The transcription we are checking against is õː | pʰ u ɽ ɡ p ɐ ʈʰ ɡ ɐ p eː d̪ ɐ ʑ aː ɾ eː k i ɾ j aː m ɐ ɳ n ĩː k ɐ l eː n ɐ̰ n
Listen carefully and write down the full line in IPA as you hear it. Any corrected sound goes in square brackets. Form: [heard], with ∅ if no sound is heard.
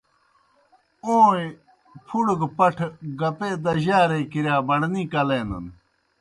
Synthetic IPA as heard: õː | pʰ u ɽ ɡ p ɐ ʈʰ ɡ ɐ p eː d̪ ɐ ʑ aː ɾ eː k i ɾ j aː [b] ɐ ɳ n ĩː k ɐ l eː n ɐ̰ n